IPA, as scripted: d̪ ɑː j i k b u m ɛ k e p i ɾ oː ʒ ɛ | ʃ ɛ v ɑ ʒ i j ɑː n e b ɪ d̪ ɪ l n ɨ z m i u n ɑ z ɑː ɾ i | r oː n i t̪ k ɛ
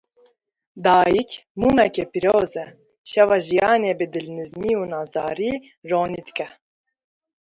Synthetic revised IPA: d̪ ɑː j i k m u m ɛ k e p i ɾ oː z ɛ | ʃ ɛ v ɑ ʒ i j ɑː n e b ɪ d̪ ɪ l n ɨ z m i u n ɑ z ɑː ɾ i | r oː n i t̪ k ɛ